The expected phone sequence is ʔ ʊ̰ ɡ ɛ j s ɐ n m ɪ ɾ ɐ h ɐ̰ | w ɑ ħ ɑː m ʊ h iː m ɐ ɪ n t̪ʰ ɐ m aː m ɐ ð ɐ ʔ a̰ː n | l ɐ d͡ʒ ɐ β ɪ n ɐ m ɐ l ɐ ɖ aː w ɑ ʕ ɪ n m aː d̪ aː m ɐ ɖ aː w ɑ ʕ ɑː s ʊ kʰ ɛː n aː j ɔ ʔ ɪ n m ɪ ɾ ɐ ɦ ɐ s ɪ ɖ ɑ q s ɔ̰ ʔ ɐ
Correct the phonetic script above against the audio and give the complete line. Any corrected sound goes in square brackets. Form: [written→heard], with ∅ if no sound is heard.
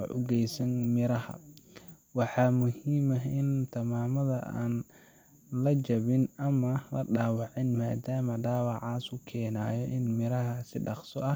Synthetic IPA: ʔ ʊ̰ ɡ ɛ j s ɐ n m ɪ ɾ ɐ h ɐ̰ | w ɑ ħ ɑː m ʊ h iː m ɐ ɪ n t̪ʰ ɐ m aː m ɐ ð ɐ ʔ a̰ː n | l ɐ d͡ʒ ɐ β ɪ n ɐ m ɐ l ɐ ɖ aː w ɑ ʕ ɪ n m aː d̪ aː m ɐ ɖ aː w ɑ ʕ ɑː s ʊ kʰ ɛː n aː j ɔ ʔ ɪ n m ɪ ɾ ɐ ɦ ɐ s ɪ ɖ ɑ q s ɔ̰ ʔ ɐ